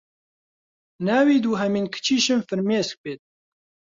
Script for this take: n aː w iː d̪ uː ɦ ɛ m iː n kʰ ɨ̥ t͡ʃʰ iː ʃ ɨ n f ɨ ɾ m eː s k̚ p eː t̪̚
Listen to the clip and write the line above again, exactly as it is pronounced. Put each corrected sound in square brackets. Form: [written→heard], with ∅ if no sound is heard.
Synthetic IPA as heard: n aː w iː d̪ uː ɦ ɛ m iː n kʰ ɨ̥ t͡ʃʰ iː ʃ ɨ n f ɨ ɾ m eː s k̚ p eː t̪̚